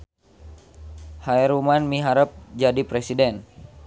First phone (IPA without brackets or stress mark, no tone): h